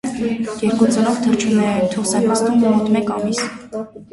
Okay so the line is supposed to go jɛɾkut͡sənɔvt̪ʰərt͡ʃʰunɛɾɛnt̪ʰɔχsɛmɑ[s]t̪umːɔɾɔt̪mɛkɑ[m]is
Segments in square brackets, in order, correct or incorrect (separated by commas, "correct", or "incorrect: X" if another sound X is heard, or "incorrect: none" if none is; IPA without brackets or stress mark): correct, correct